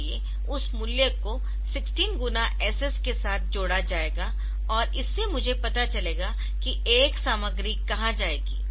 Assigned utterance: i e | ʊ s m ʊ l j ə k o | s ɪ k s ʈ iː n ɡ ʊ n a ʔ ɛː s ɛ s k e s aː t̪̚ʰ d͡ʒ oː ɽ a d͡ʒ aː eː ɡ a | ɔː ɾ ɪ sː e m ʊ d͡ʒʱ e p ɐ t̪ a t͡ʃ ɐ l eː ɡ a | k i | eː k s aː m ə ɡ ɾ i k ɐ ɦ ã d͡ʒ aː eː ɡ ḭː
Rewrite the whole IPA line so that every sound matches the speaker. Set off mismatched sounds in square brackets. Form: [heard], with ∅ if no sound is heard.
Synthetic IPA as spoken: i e | ʊ s m ʊ l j ə k o | s ɪ k s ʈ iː n ɡ ʊ n a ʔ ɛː s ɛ s k e s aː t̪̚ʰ d͡ʒ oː ɽ a d͡ʒ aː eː ɡ a | ɔː ɾ ɪ sː e m ʊ d͡ʒʱ e p ɐ t̪ a t͡ʃ ɐ l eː ɡ a | k i | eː k s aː m ə ɡ ɾ i k ɐ ɦ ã d͡ʒ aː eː ɡ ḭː